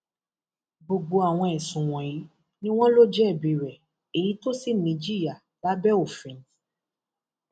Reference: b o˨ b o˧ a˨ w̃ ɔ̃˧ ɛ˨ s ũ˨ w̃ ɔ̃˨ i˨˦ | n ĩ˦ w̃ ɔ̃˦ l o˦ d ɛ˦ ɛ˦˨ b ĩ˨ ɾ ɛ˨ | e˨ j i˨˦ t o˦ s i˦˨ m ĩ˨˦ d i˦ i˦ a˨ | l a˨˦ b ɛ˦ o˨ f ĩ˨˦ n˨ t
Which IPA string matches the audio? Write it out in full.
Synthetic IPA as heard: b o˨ ɡ͡b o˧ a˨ w̃ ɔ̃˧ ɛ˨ s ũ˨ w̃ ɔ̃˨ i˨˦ | n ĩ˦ w̃ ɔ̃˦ l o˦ d͡ʒ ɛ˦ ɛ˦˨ b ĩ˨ ɾ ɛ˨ | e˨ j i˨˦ t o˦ s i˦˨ n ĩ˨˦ d͡ʒ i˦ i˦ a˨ | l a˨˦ b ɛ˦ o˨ f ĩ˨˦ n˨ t